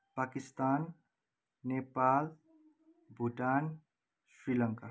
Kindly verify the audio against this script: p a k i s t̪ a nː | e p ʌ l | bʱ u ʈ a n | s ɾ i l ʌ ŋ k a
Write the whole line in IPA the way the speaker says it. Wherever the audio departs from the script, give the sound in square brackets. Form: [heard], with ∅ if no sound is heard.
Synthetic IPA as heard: p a k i s t̪ a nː | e p [a] l | bʱ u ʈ a n | s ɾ i l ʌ ŋ k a